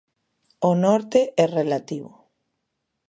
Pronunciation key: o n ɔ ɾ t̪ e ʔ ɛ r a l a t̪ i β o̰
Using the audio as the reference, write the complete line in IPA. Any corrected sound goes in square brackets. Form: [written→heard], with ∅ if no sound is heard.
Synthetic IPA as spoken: o n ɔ ɾ t̪ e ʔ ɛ r [a→e] l a t̪ i β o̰